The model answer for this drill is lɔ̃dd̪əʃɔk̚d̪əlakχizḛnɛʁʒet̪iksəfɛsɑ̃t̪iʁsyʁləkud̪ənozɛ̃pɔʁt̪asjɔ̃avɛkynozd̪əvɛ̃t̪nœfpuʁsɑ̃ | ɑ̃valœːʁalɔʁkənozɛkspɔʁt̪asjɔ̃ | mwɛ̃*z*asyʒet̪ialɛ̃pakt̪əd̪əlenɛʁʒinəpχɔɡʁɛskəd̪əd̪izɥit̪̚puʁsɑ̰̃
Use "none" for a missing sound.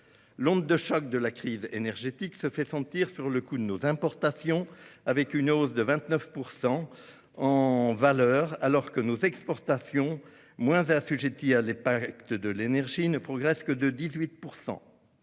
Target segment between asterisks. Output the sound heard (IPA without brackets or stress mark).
z